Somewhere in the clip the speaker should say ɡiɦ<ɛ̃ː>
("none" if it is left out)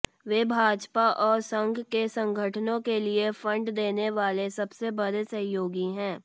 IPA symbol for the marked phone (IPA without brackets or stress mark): ɛ̃ː